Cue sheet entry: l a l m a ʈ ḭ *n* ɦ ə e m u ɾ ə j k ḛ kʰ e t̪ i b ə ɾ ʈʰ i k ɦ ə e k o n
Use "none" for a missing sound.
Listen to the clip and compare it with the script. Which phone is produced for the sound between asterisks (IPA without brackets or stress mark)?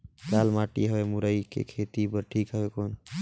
none